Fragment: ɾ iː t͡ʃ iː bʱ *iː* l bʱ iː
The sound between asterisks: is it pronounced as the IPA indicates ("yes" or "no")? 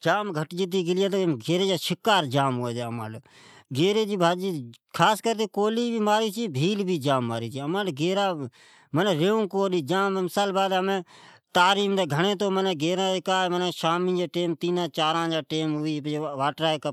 yes